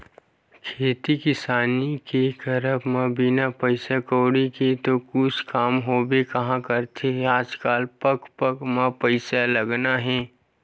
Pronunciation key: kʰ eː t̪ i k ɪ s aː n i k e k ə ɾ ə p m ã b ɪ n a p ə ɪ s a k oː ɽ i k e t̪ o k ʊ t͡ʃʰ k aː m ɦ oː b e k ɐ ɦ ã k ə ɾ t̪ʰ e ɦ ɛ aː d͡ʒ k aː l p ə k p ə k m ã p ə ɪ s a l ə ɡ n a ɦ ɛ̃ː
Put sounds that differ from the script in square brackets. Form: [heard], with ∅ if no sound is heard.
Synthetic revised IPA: kʰ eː t̪ i k ɪ s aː n i k e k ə ɾ ə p m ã b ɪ n a p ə ɪ s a k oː ɽ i k e t̪ o k ʊ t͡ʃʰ k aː m ɦ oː b e k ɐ ɦ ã k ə ɾ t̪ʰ e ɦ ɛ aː d͡ʒ k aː l p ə k p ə k m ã p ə ɪ s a l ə ɡ n a ɦ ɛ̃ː